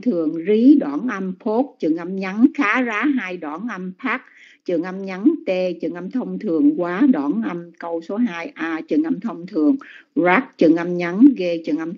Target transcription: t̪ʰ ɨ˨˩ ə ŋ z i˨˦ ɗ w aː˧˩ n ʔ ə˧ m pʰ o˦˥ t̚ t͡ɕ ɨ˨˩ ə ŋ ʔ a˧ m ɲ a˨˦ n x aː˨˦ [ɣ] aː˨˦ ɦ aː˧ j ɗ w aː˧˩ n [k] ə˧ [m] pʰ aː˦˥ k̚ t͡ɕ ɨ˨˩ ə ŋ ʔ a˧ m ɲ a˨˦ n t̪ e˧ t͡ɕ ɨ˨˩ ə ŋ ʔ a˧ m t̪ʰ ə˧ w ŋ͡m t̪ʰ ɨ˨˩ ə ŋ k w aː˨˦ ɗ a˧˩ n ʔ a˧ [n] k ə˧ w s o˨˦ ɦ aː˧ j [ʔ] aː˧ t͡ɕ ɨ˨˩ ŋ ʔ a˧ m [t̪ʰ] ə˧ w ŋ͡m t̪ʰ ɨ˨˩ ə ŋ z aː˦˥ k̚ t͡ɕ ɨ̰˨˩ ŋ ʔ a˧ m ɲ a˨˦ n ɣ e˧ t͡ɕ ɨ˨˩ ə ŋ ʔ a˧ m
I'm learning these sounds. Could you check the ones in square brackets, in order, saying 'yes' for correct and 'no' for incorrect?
no, no, yes, no, yes, yes

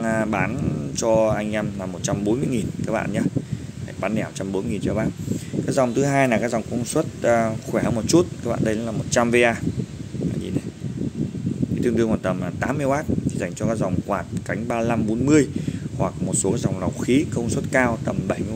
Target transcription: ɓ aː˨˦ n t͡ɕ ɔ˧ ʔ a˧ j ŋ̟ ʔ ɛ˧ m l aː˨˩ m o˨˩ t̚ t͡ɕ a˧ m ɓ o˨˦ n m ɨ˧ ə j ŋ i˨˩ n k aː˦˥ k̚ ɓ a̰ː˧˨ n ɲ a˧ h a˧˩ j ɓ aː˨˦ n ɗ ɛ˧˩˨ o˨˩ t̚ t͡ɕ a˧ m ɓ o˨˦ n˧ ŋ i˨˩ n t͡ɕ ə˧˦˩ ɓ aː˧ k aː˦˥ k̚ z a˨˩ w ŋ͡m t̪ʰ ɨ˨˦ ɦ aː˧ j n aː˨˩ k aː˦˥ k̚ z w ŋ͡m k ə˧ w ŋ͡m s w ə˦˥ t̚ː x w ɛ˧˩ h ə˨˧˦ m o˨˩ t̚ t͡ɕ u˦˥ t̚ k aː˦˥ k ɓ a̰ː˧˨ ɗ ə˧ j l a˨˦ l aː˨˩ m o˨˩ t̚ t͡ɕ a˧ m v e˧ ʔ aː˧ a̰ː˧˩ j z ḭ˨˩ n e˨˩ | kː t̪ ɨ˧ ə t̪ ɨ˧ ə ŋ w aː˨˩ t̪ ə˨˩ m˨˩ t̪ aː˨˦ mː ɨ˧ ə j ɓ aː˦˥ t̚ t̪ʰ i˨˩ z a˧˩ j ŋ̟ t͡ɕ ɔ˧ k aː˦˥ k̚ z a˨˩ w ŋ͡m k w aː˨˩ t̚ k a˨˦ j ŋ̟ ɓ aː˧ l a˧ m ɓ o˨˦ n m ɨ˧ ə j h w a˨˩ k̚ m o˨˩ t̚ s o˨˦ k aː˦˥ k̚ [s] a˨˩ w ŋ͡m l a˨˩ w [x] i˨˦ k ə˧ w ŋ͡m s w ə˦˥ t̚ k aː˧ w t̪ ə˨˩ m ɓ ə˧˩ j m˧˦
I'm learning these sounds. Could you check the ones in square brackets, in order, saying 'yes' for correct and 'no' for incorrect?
no, yes

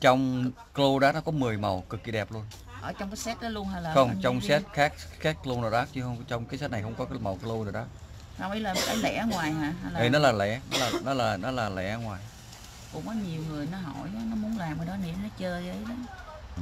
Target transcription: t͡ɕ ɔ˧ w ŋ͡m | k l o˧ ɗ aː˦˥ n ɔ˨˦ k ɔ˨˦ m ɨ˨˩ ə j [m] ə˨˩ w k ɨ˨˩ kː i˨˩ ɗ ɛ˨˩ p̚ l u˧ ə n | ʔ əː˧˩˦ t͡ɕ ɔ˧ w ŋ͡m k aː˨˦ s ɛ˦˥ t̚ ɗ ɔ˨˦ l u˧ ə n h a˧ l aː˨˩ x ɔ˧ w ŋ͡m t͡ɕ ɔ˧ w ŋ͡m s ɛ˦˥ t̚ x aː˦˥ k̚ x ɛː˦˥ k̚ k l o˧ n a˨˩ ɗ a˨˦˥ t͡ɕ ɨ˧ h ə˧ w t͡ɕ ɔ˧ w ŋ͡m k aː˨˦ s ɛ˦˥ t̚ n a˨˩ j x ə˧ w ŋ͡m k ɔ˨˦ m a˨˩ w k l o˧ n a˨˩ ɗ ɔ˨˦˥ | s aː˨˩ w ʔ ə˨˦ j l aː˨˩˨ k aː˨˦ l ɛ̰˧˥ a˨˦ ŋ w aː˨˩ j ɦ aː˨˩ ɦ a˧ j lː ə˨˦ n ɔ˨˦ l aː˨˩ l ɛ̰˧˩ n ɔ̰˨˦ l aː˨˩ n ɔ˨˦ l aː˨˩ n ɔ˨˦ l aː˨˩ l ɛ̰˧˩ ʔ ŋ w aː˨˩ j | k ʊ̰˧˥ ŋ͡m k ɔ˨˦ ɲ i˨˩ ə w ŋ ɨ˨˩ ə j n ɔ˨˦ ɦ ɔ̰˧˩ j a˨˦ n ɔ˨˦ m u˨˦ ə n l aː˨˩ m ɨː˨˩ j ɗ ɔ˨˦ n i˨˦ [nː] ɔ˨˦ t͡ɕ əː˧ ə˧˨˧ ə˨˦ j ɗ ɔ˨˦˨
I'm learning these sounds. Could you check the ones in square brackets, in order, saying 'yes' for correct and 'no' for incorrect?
yes, no

